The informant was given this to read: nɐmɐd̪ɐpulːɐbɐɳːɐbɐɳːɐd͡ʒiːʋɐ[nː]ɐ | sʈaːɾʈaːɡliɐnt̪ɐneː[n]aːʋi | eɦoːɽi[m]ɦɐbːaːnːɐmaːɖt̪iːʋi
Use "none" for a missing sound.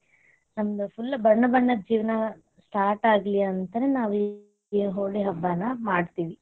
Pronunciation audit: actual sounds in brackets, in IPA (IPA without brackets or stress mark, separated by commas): n, n, none